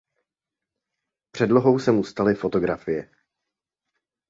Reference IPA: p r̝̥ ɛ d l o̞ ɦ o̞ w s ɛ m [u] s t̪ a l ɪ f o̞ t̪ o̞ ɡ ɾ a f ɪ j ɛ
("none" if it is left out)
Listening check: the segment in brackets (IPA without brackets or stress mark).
u